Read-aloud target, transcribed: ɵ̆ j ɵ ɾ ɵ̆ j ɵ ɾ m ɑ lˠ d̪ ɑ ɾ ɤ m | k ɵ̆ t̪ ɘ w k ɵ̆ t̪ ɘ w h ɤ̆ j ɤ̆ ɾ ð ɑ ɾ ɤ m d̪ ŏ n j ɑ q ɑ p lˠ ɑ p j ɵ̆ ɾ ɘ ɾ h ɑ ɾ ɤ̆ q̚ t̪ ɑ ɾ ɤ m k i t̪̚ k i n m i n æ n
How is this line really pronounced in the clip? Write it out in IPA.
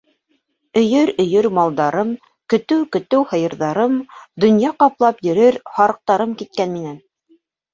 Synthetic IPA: ɵ̆ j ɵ ɾ ɵ̆ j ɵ ɾ m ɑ lˠ d̪ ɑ ɾ ɤ m | k ɵ̆ t̪ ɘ w k ɵ̆ t̪ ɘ w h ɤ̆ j ɤ̆ ɾ ð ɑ ɾ ɤ m d̪ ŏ n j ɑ q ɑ p lˠ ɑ p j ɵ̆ ɾ ɘ ɾ h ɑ ɾ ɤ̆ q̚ t̪ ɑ ɾ ɤ m k i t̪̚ k æ n m i n æ n